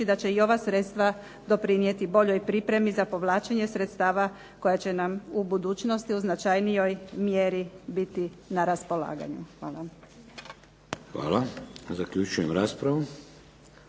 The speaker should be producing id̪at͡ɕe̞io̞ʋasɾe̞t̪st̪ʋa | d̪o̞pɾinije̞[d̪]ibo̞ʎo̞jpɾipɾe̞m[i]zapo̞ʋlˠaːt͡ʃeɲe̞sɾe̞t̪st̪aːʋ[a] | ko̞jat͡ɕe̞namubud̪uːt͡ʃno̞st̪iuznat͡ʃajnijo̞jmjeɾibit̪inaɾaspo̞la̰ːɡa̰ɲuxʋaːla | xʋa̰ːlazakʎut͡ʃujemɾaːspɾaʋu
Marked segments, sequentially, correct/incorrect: incorrect: t̪, correct, correct

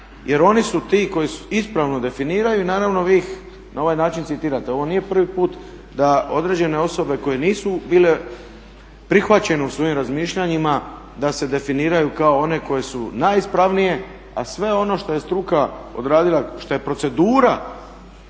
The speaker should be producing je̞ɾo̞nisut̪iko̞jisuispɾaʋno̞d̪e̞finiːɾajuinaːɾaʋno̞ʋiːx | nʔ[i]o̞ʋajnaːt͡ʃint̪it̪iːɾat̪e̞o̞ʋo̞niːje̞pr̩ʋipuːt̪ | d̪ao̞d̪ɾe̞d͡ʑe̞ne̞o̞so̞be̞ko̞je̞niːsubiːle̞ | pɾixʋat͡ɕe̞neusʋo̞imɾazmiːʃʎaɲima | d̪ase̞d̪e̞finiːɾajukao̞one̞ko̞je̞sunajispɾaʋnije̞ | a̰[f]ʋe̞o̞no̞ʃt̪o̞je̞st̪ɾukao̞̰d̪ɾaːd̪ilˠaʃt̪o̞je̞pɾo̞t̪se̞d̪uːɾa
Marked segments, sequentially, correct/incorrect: incorrect: a, incorrect: s

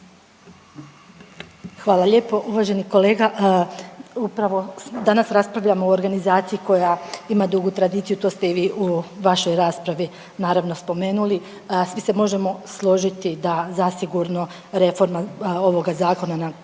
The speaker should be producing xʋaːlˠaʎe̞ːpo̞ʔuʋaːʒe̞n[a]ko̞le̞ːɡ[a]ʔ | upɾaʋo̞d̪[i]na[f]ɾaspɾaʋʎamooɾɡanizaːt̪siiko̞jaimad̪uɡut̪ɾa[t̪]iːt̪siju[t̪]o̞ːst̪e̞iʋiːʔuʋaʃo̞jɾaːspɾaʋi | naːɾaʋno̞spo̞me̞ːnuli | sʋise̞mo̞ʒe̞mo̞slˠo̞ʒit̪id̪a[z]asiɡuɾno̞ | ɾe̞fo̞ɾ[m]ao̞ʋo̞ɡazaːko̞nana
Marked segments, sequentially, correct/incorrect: incorrect: i, correct, incorrect: a, incorrect: s, incorrect: d̪, correct, correct, correct

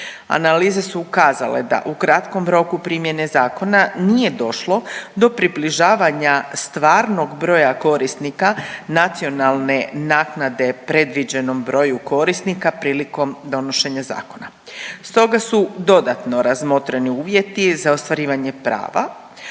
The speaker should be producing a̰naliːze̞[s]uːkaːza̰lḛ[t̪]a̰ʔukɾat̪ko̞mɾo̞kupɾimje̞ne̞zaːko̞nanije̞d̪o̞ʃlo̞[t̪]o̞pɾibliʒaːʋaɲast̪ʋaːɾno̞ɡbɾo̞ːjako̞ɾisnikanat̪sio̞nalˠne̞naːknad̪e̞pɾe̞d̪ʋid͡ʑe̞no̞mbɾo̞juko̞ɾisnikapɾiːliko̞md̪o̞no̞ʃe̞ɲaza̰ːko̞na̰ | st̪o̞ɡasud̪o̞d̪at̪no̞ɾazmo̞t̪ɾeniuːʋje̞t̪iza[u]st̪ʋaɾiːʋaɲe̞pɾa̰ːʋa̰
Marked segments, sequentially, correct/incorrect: correct, incorrect: d̪, incorrect: d̪, incorrect: o

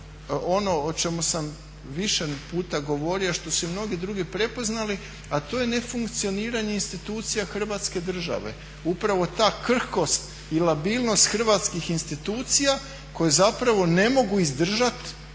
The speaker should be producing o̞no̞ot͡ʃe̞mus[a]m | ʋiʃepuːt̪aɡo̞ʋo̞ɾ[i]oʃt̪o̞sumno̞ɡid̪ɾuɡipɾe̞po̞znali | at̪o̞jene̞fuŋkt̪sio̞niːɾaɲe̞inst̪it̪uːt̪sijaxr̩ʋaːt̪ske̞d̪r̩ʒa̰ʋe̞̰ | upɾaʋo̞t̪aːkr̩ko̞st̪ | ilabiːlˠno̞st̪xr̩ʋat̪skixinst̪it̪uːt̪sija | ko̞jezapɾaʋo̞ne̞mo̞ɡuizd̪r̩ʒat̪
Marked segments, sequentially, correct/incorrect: correct, correct

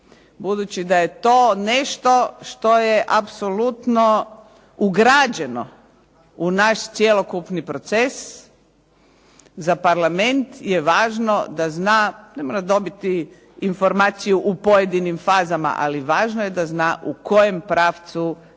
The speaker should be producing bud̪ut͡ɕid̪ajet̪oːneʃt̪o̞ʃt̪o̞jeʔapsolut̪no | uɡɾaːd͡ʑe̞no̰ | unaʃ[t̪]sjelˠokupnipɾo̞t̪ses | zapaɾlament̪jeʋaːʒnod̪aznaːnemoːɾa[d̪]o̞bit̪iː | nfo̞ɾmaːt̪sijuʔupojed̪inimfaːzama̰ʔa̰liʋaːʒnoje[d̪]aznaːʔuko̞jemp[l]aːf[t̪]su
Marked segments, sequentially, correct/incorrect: correct, correct, correct, incorrect: ɾ, correct

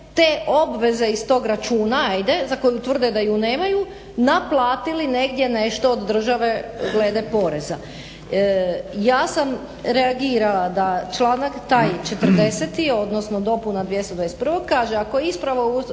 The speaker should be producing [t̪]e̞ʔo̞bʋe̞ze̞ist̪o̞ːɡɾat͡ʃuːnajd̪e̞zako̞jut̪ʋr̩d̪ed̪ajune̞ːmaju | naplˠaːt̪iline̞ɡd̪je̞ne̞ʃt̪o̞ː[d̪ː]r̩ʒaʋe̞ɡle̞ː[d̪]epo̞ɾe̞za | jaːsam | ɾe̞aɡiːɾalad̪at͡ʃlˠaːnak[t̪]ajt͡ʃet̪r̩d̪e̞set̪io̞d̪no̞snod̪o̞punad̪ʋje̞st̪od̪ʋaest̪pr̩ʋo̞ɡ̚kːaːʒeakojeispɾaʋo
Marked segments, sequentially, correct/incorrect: correct, correct, correct, correct

